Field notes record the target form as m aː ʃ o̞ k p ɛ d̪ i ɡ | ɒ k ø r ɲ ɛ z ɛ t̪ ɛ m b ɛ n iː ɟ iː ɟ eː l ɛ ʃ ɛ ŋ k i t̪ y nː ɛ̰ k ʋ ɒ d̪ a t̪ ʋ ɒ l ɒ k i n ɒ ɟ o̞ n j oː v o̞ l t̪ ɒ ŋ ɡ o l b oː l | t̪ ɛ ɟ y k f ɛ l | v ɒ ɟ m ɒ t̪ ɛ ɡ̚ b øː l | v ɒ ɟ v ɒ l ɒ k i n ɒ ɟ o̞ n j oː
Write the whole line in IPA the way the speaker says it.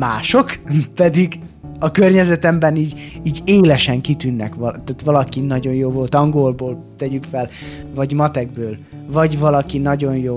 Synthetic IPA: m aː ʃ o̞ k p ɛ d̪ i ɡ | ɒ k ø r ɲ ɛ z ɛ t̪ ɛ m b ɛ n iː ɟ iː ɟ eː l ɛ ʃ ɛ ŋ k i t̪ y nː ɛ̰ k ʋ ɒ t̪ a t̪ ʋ ɒ l ɒ k i n ɒ ɟ o̞ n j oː v o̞ l t̪ ɒ ŋ ɡ o l b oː l | t̪ ɛ ɟ y k f ɛ l | v ɒ ɟ m ɒ t̪ ɛ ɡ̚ b øː l | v ɒ ɟ v ɒ l ɒ k i n ɒ ɟ o̞ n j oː